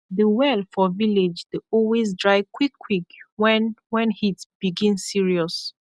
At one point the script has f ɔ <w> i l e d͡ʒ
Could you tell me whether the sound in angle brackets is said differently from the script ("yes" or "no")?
yes